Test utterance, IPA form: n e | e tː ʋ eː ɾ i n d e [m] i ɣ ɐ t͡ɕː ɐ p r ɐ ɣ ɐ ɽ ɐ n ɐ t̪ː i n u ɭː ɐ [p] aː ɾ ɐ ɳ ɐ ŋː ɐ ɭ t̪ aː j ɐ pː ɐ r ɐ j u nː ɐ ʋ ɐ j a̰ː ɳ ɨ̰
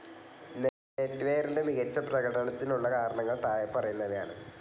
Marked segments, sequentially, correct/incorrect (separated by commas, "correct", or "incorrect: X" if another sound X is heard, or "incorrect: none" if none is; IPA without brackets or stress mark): correct, incorrect: k